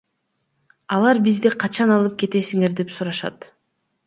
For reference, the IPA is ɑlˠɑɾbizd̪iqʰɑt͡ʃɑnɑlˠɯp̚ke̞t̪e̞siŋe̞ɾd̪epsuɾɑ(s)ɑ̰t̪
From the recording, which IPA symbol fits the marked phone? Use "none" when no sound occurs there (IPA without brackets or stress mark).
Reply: ʃ